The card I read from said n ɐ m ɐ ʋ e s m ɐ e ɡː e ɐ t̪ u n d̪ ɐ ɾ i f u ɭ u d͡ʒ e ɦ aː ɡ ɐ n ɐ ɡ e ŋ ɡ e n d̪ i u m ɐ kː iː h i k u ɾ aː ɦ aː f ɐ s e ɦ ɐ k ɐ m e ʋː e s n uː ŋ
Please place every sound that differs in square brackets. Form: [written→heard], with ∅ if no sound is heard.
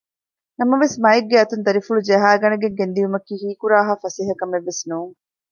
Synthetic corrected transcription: n ɐ m ɐ ʋ e s m ɐ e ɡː e ɐ t̪ u n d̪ ɐ ɾ i f u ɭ u d͡ʒ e ɦ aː ɡ ɐ n ɐ ɡ e ŋ ɡ e n d̪ i u m ɐ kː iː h [i→iː] k u ɾ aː ɦ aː f ɐ s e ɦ ɐ k ɐ m e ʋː e s n uː ŋ